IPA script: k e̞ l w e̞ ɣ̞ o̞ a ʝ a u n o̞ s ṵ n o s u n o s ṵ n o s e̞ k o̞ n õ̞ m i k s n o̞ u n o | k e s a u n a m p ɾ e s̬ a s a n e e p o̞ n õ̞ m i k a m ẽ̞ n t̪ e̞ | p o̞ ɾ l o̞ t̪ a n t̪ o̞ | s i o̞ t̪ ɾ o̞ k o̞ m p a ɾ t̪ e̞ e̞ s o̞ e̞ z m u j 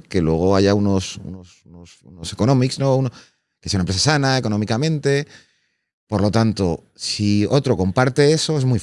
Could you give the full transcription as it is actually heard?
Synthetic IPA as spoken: k e̞ l w e̞ ɣ̞ o̞ a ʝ a u n o̞ s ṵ n o s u n o s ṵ n o s e̞ k o̞ n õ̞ m i k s n o̞ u n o | k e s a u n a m p ɾ e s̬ a s a n a e k o̞ n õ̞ m i k a m ẽ̞ n t̪ e̞ | p o̞ ɾ l o̞ t̪ a n t̪ o̞ | s i o̞ t̪ ɾ o̞ k o̞ m p a ɾ t̪ e̞ e̞ s o̞ e̞ z m u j